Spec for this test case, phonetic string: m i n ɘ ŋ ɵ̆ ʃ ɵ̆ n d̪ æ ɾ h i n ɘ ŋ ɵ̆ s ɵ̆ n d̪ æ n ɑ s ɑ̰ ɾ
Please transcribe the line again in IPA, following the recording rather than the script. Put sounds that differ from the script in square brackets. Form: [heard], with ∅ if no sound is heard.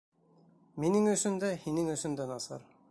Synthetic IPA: m i n ɘ ŋ ɵ̆ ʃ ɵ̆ n d̪ æ [∅] h i n ɘ ŋ ɵ̆ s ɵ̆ n d̪ æ n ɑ s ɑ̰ ɾ